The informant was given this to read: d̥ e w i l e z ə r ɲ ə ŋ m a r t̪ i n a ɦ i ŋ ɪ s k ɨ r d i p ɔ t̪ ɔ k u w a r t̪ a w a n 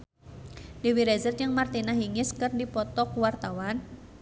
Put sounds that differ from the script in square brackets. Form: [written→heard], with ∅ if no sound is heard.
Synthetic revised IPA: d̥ e w i [l→ɾ] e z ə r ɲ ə ŋ m a r t̪ i n a ɦ i ŋ ɪ s k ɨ r d i p ɔ t̪ ɔ k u w a r t̪ a w a n